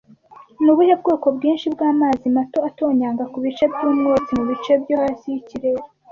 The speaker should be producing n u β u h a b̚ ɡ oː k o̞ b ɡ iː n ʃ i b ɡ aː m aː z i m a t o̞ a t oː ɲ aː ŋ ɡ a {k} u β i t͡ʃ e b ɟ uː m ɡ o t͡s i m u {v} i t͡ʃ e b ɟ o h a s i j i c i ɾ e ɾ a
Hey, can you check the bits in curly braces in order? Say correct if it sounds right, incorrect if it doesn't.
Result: correct, incorrect: β

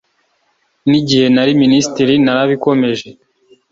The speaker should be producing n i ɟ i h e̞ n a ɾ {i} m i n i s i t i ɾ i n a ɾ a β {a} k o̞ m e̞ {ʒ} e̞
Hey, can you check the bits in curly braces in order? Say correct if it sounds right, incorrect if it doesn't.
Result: correct, incorrect: i, correct

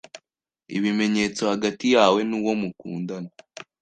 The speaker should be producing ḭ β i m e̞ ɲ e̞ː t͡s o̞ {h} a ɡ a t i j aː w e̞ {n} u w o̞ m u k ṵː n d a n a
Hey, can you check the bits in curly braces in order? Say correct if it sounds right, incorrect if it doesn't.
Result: correct, correct

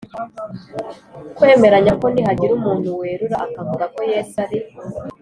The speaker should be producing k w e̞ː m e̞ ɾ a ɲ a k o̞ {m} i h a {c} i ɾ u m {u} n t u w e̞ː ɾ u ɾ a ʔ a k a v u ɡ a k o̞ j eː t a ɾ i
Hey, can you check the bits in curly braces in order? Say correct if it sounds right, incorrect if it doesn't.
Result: incorrect: n, incorrect: ɟ, incorrect: uː

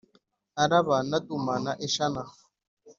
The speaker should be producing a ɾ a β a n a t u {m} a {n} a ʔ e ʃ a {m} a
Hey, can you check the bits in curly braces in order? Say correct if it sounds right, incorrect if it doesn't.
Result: correct, correct, incorrect: n

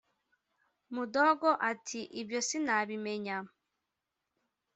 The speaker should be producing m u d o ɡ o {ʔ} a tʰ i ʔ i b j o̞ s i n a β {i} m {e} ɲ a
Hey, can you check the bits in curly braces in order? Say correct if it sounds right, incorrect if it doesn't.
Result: correct, correct, correct

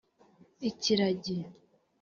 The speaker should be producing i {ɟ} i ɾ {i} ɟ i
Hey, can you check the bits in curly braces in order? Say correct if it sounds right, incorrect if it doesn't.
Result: incorrect: c, incorrect: a

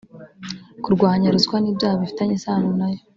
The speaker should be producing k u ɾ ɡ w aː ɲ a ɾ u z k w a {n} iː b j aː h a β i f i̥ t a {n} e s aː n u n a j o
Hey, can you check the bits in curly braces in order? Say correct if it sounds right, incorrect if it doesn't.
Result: correct, incorrect: ɲ

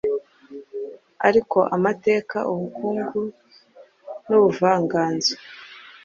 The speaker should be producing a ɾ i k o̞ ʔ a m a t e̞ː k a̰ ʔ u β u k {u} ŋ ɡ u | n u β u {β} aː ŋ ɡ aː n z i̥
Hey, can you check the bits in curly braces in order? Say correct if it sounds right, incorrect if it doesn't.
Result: incorrect: uː, incorrect: v

